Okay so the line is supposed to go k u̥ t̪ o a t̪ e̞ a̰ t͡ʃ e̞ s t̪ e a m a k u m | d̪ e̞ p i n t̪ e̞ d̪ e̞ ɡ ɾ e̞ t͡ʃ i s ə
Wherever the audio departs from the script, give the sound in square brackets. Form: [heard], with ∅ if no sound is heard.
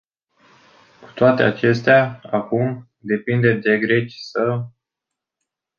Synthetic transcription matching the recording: k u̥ t̪ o a t̪ e̞ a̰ t͡ʃ e̞ s t̪ e a [∅] a k u m | d̪ e̞ p i n [d̪] e̞ d̪ e̞ ɡ ɾ e̞ t͡ʃ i s ə